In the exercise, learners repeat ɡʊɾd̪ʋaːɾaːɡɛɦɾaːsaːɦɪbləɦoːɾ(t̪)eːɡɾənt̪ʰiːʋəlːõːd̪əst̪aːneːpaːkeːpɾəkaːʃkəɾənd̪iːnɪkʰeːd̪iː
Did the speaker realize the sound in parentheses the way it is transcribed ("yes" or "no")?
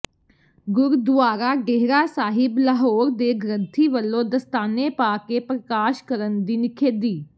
no